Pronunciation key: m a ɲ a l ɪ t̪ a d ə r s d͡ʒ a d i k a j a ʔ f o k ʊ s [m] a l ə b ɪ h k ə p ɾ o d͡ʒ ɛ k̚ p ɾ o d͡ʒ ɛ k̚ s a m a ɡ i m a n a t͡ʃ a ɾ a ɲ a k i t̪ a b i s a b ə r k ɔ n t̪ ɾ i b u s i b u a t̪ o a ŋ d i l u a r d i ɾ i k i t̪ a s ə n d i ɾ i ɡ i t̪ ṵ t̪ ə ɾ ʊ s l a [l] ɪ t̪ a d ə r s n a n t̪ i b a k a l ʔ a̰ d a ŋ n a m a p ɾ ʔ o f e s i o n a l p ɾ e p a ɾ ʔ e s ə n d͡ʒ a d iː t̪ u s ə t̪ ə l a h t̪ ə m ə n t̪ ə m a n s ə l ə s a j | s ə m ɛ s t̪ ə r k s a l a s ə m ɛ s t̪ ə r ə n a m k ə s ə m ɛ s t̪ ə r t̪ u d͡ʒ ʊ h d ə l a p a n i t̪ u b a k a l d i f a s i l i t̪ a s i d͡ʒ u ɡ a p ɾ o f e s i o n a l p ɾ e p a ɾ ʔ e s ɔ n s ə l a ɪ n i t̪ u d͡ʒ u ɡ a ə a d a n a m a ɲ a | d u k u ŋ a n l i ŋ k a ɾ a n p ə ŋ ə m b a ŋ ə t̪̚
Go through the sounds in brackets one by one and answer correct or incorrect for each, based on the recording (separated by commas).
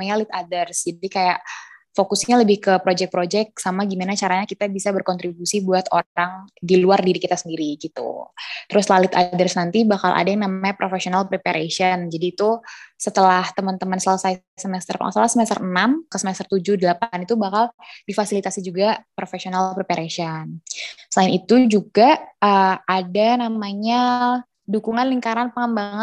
incorrect, correct